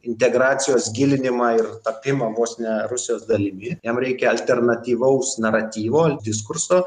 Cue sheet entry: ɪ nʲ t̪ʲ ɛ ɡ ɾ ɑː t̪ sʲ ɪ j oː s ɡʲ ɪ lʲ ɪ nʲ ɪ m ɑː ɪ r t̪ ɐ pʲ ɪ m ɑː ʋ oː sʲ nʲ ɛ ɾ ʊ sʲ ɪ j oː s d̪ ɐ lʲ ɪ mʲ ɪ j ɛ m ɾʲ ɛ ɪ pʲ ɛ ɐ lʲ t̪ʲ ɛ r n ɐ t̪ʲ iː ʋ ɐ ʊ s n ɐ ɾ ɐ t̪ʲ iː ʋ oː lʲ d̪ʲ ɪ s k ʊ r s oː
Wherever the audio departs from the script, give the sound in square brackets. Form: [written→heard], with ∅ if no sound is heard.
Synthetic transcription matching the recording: ɪ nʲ t̪ʲ ɛ ɡ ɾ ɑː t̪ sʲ ɪ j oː s ɡʲ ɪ lʲ ɪ nʲ ɪ m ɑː ɪ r t̪ ɐ pʲ ɪ m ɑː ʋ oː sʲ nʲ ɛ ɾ ʊ sʲ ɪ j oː s d̪ ɐ lʲ ɪ mʲ ɪ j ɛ m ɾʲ ɛ ɪ [pʲ→kʲ] ɛ ɐ lʲ t̪ʲ ɛ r n ɐ t̪ʲ iː ʋ ɐ ʊ s n ɐ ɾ ɐ t̪ʲ iː ʋ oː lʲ d̪ʲ ɪ s k ʊ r s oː